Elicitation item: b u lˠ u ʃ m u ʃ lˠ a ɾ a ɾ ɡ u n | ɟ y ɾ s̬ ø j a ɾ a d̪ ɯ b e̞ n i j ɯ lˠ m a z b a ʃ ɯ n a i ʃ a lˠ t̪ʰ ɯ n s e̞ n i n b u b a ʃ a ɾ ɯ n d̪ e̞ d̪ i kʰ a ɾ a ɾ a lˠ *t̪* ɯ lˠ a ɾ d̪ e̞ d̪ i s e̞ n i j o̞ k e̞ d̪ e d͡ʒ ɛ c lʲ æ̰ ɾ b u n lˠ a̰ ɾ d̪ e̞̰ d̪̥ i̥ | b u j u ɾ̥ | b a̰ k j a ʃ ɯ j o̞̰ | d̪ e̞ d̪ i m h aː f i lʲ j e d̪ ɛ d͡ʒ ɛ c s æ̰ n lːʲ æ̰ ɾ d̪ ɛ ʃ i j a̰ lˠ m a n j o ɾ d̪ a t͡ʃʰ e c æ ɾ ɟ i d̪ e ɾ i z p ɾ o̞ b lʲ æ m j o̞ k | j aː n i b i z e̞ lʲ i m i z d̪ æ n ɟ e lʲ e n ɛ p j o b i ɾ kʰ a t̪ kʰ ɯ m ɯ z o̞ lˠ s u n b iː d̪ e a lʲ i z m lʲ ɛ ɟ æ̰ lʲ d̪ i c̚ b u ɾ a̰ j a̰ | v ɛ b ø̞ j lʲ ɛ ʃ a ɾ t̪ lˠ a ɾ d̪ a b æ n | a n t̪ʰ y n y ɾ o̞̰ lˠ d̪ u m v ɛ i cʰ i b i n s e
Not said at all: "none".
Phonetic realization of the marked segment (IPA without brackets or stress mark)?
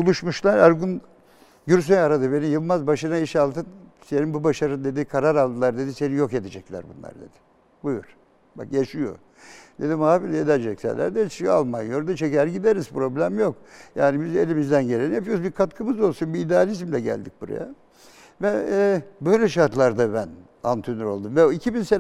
d̪